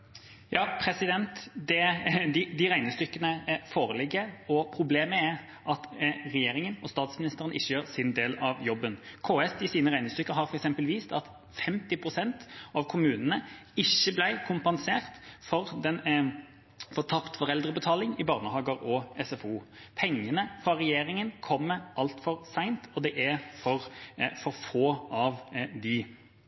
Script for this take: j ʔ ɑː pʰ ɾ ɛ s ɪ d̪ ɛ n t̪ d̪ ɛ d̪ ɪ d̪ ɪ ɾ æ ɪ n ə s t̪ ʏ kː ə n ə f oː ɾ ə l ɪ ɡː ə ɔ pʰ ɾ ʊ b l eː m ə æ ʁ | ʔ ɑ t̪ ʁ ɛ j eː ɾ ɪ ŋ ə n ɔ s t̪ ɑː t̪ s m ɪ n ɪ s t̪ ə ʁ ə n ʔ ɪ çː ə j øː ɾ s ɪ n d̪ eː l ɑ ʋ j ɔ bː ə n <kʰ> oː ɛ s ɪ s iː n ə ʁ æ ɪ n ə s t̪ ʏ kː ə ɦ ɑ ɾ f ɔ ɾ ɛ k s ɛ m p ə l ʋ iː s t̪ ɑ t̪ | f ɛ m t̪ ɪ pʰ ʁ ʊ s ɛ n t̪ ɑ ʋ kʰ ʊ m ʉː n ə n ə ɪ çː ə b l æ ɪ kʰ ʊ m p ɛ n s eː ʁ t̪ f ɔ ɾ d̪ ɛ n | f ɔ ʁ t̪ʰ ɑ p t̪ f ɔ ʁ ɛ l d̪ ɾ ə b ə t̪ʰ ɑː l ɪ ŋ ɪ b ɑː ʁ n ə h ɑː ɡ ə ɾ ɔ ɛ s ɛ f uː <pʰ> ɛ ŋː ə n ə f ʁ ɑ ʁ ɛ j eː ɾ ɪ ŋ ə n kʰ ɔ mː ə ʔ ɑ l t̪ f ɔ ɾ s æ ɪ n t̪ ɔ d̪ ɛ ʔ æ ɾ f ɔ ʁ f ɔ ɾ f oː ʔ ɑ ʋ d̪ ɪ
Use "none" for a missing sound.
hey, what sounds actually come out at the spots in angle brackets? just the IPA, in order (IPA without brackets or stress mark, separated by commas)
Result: kʰ, pʰ